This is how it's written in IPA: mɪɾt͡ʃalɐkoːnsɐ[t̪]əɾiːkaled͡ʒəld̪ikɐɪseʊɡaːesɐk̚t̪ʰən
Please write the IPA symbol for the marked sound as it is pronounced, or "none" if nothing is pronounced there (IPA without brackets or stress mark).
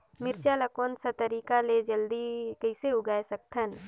t̪